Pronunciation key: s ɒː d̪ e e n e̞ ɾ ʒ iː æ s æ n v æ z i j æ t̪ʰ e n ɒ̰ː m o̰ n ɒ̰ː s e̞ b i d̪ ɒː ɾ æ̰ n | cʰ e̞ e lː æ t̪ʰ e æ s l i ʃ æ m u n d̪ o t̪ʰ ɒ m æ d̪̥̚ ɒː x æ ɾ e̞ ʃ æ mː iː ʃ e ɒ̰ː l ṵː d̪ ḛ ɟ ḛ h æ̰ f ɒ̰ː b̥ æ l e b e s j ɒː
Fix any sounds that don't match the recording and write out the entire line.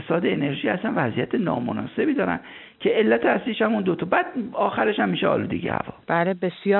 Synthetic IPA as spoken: s ɒː d̪ e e n e̞ ɾ ʒ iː æ s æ n v æ z i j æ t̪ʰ e n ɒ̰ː m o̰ n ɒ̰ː s e̞ b i d̪ ɒː ɾ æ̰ n | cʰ e̞ e lː æ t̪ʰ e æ s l i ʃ æ m u n d̪ o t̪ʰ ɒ b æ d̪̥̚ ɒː x æ ɾ e̞ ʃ æ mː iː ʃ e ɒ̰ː l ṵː d̪ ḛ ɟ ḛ h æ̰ v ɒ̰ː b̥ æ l e b e s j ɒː